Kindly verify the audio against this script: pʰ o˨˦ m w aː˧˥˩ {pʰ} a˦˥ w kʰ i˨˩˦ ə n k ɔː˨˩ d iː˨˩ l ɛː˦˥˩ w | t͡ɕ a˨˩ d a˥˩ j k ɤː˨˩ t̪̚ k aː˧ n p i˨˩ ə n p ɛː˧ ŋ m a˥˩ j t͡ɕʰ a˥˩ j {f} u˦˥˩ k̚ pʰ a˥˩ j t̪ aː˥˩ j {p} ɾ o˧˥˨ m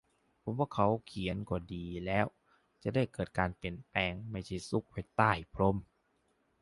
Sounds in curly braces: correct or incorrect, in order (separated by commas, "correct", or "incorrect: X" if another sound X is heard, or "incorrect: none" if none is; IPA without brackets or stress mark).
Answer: incorrect: kʰ, incorrect: s, incorrect: pʰ